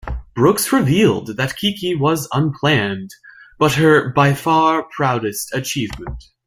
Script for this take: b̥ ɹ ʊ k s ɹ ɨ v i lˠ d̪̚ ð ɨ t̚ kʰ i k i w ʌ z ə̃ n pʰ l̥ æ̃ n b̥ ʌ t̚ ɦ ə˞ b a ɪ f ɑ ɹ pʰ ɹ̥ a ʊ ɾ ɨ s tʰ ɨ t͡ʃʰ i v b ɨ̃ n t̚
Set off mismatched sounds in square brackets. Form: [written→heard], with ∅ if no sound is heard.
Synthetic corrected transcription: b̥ ɹ ʊ k s ɹ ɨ v i lˠ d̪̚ ð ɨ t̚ kʰ i k i w ʌ z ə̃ n pʰ l̥ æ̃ n b̥ ʌ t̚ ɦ ə˞ b a ɪ f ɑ ɹ pʰ ɹ̥ a ʊ ɾ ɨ s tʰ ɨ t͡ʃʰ i v [b→m] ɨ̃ n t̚

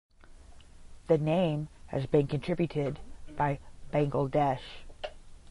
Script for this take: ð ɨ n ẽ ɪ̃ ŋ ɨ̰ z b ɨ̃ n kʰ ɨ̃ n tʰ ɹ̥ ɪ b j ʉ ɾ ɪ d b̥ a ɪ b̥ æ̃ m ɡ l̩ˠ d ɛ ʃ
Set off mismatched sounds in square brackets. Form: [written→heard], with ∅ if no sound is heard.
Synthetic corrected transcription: ð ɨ n ẽ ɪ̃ [ŋ→m] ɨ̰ z b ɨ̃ n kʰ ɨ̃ n tʰ ɹ̥ ɪ b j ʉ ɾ ɪ d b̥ a ɪ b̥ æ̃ [m→ŋ] ɡ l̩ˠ d ɛ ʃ

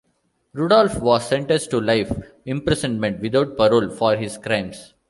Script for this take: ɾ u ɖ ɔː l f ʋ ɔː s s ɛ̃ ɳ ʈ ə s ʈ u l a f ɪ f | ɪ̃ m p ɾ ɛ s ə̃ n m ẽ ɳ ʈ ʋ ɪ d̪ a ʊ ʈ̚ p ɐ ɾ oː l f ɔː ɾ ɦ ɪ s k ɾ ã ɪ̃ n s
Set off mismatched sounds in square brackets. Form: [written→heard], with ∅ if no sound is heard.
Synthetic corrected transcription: ɾ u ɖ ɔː l f ʋ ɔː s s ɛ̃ ɳ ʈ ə s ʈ u l a [f→∅] ɪ f | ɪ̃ m p ɾ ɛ s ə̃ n m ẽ ɳ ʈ ʋ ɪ d̪ a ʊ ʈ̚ p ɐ ɾ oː l f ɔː ɾ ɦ ɪ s k ɾ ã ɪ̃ [n→m] s

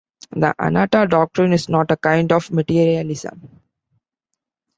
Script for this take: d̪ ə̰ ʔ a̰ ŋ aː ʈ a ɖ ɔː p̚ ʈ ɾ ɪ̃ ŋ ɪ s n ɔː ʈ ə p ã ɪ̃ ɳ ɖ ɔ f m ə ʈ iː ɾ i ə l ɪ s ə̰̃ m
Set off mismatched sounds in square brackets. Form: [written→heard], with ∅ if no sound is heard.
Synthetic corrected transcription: d̪ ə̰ ʔ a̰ [ŋ→n] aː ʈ a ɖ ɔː [p̚→k̚] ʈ ɾ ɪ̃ [ŋ→n] ɪ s n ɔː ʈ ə [p→k] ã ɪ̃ ɳ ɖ ɔ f m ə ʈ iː ɾ i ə l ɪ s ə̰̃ m

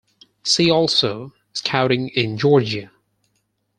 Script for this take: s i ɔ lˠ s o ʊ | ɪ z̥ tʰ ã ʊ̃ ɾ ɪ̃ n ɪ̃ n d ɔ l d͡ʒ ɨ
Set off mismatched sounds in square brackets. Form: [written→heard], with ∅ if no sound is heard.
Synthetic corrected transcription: s i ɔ lˠ s o ʊ | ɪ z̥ [tʰ→kʰ] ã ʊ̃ ɾ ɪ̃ [n→ŋ] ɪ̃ n [d→d͡ʒ] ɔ [l→ɹ] d͡ʒ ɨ

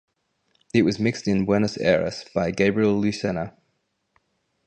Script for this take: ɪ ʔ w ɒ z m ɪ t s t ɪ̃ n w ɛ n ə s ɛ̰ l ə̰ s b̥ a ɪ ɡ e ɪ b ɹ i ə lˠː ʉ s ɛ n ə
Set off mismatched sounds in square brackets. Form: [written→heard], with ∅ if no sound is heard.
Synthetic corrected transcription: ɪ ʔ w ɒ z m ɪ [t→k] s t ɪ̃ n w ɛ n ə s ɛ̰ [l→ɹ] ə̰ s b̥ a ɪ ɡ e ɪ b ɹ i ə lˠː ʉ s ɛ n ə

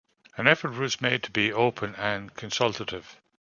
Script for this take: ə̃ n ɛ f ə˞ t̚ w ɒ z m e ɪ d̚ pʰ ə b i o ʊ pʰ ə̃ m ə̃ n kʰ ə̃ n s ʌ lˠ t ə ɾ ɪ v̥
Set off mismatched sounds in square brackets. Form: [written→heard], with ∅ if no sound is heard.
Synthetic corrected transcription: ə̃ n ɛ f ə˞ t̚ w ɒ z m e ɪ d̚ [pʰ→tʰ] ə b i o ʊ pʰ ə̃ [m→n] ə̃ n kʰ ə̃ n s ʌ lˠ t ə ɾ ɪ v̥

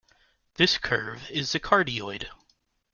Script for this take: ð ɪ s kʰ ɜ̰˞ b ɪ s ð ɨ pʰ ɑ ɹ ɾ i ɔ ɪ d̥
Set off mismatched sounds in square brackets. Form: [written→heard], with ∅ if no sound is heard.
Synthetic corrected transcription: ð ɪ s kʰ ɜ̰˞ [b→v] ɪ [s→z] ð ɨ [pʰ→kʰ] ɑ ɹ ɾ i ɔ ɪ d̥

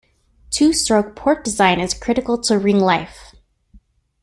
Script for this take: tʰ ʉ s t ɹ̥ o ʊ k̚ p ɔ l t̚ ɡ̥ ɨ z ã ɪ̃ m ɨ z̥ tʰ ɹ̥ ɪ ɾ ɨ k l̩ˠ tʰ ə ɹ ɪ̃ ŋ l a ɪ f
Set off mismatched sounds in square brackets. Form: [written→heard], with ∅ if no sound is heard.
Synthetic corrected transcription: tʰ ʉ s t ɹ̥ o ʊ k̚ [p→pʰ] ɔ [l→ɹ] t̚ [ɡ̥→d̥] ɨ z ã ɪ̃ [m→n] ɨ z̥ [tʰ→kʰ] ɹ̥ ɪ ɾ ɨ k l̩ˠ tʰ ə ɹ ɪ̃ ŋ l a ɪ f

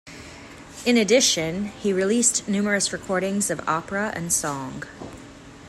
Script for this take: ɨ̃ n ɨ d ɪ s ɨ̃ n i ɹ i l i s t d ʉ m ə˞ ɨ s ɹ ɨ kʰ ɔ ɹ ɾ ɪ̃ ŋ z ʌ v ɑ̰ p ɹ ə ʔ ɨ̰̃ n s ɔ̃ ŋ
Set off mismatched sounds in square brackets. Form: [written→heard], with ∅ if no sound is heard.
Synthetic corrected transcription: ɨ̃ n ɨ d ɪ [s→ʃ] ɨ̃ n i ɹ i l i s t [d→n] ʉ m ə˞ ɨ s ɹ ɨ kʰ ɔ ɹ ɾ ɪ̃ ŋ z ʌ v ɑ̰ p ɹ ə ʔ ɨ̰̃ n s ɔ̃ ŋ

